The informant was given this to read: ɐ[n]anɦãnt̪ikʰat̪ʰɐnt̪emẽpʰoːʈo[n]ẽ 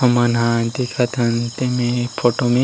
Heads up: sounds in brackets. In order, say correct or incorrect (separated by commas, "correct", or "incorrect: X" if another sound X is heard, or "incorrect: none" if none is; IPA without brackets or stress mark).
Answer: incorrect: m, incorrect: m